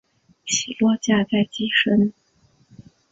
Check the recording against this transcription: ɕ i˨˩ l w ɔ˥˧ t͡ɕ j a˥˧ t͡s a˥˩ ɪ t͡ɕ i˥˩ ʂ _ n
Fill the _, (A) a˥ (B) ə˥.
B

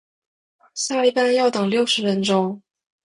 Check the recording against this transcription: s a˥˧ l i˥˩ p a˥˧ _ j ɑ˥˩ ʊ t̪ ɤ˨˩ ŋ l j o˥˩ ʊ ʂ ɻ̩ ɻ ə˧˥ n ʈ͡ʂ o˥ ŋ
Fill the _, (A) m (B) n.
B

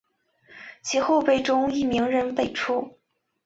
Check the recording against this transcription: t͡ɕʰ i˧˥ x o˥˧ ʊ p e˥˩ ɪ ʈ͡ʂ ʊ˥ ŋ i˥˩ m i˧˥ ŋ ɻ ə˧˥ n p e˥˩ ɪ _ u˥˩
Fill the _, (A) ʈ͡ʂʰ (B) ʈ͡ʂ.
A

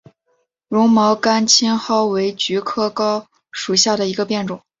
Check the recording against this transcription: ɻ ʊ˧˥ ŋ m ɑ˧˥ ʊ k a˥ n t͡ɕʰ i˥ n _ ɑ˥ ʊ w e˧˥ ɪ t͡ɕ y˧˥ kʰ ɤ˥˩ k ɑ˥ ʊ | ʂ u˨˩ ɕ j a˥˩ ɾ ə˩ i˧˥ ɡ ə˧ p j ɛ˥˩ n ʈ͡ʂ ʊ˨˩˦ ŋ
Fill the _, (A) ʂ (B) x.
B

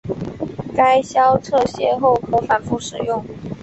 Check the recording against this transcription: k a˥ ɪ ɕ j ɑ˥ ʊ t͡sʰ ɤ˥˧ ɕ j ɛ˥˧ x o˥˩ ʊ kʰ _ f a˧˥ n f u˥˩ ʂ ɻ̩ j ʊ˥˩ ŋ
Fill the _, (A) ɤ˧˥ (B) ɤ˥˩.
A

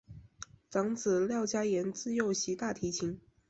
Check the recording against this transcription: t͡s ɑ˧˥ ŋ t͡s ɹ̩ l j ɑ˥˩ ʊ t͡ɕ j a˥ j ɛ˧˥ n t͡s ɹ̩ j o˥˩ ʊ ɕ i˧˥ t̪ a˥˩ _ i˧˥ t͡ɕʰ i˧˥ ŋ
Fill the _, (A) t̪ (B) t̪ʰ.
B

